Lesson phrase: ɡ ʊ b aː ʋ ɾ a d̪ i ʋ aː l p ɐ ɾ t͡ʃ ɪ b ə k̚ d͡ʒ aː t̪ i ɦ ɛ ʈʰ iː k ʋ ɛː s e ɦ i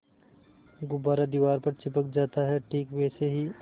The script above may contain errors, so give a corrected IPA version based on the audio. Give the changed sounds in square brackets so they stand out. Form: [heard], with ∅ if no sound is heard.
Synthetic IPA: ɡ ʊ b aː [∅] ɾ a d̪ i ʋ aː [ɾ] p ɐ ɾ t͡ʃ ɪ [p] ə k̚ d͡ʒ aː t̪ [a] ɦ ɛ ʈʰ iː k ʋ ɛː s e ɦ i